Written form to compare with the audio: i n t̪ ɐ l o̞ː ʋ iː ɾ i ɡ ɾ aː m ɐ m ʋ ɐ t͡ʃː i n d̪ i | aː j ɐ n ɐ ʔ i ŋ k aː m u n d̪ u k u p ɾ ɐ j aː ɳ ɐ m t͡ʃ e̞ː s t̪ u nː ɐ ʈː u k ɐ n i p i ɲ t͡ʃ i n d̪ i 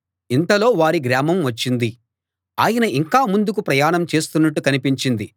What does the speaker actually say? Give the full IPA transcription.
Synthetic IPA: i n t̪ ɐ l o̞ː ʋ aː ɾ i ɡ ɾ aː m ɐ m ʋ ɐ t͡ʃː i n d̪ i | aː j ɐ n ɐ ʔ i ŋ k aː m u n d̪ u k u p ɾ ɐ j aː ɳ ɐ m t͡ʃ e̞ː s t̪ u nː ɐ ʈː u k ɐ n i p i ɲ t͡ʃ i n d̪ i